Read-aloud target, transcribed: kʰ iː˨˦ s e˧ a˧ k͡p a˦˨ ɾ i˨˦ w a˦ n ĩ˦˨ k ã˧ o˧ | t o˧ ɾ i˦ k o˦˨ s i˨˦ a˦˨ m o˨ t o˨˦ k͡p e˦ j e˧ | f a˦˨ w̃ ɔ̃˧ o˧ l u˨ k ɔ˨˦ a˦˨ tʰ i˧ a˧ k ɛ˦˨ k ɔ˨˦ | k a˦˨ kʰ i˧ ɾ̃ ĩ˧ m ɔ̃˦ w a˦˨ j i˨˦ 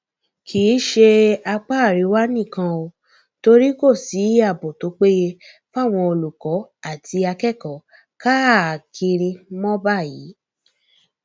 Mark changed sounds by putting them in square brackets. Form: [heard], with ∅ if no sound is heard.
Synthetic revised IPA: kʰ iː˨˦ [ʃ] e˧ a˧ k͡p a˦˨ ɾ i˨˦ w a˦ n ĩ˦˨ k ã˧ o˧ | t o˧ ɾ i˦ k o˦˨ s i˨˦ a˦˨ [b] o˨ t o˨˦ k͡p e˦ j e˧ | f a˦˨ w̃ ɔ̃˧ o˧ l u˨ k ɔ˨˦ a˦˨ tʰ i˧ a˧ k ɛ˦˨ k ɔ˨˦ | k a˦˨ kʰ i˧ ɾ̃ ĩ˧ m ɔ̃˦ [b] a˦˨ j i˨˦